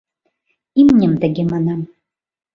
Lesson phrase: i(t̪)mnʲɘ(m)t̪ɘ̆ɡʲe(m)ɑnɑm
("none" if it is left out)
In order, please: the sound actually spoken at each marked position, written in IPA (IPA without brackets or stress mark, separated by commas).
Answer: none, m, m